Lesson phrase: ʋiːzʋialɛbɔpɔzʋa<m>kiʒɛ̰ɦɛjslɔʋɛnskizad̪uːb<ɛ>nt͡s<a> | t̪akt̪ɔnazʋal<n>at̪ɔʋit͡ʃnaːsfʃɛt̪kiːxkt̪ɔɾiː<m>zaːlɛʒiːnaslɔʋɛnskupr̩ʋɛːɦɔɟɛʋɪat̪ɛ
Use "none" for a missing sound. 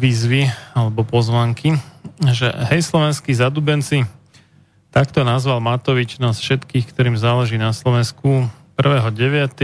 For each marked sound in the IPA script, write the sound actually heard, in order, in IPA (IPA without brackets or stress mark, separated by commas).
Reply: ŋ, ɛ, i, m, m